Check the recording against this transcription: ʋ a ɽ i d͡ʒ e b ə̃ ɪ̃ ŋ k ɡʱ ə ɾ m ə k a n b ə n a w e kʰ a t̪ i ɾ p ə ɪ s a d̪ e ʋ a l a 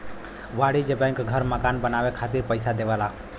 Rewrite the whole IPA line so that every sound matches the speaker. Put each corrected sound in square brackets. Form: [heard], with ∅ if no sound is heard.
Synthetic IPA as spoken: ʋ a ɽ i d͡ʒ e b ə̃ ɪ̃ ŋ k ɡʱ ə ɾ m ə k a n b ə n a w e kʰ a t̪ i ɾ p ə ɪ s a d̪ e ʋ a l a